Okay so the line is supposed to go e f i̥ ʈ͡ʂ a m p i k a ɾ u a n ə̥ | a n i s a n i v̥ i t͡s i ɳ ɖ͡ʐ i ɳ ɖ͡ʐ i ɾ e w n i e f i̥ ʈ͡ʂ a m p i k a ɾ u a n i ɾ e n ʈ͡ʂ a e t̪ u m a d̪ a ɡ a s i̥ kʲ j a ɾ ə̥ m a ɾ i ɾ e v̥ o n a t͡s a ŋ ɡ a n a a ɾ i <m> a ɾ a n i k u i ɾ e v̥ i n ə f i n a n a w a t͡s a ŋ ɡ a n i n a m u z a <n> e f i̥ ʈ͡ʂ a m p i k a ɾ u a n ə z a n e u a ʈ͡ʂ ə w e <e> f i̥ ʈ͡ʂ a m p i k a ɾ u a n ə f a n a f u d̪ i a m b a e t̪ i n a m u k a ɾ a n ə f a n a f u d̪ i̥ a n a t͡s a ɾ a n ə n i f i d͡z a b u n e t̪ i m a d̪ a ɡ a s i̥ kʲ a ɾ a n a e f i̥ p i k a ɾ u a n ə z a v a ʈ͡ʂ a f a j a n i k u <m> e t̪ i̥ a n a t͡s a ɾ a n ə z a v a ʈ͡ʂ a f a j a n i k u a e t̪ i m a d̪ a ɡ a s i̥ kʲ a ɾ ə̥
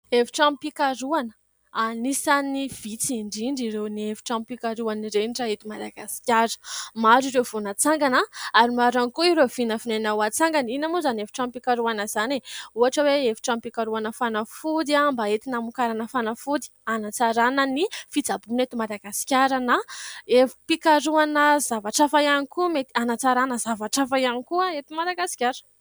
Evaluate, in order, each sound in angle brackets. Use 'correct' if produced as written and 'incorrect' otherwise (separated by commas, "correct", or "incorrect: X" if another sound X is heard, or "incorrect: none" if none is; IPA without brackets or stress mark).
correct, correct, correct, correct